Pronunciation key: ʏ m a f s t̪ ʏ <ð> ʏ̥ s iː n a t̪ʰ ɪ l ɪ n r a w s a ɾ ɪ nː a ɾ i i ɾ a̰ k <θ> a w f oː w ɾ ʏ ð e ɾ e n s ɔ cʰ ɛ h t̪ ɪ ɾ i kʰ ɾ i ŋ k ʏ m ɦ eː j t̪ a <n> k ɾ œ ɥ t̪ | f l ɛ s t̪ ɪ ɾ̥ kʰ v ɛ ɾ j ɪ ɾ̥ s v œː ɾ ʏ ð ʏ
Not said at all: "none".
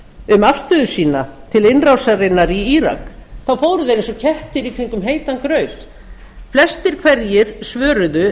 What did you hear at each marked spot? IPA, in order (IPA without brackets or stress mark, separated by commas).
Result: ð, θ, n